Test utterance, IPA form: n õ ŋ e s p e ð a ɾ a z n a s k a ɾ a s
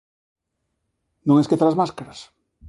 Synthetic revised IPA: n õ ŋ e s k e θ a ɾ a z m a s k a ɾ a s

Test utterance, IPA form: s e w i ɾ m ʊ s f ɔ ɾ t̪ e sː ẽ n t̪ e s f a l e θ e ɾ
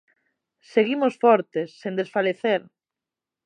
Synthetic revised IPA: s e ɣ i m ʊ s f ɔ ɾ t̪ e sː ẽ n d̪ e s f a l e θ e ɾ

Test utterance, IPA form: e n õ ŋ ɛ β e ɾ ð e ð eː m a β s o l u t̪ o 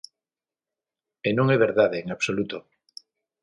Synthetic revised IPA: e n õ ŋ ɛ β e ɾ ð a ð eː ŋ a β s o l u t̪ o

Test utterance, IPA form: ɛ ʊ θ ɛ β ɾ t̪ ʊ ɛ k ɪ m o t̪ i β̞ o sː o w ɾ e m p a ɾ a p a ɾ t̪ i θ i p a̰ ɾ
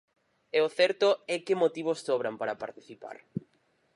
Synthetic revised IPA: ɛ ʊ θ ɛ ɾ t̪ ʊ ɛ k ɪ m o t̪ i β̞ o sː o β ɾ a m p a ɾ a p a ɾ t̪ i θ i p a̰ ɾ

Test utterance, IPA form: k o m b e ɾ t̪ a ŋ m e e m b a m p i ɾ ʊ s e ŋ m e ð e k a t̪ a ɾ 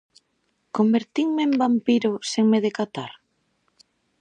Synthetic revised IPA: k o m b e ɾ t̪ i ŋ m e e m b a m p i ɾ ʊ s e ŋ m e ð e k a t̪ a ɾ

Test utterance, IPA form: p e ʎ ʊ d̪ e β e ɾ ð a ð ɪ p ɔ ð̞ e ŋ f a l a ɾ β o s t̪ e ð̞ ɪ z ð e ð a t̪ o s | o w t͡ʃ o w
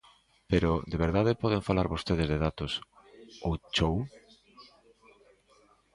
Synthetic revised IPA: p e ɾ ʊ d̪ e β e ɾ ð a ð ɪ p ɔ ð̞ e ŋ f a l a ɾ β o s t̪ e ð̞ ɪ z ð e ð a t̪ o s | o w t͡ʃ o w

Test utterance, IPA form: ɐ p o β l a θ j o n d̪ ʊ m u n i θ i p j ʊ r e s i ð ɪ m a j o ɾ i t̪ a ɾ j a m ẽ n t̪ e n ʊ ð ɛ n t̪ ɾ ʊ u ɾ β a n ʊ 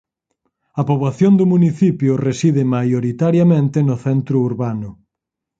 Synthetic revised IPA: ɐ p o β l a θ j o n d̪ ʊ m u n i θ i p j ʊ r e s i ð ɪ m a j o ɾ i t̪ a ɾ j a m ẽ n t̪ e n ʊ θ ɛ n t̪ ɾ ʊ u ɾ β a n ʊ

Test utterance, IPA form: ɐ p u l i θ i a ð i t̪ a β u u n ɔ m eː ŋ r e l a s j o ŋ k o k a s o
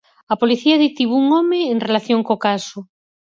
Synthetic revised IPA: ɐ p o l i θ i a ð i t̪ i β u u ŋ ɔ m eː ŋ r e l a θ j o ŋ k o k a s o

